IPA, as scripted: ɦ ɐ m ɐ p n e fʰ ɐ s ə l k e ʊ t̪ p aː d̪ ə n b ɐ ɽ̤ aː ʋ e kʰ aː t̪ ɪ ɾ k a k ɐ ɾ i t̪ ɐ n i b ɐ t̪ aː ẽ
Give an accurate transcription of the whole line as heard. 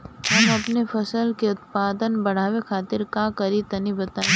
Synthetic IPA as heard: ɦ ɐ m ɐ p n e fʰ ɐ s ə l k e ʊ t̪ p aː d̪ ə n b ɐ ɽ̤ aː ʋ e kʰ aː t̪ ɪ ɾ k a k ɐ ɾ i t̪ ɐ n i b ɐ t̪ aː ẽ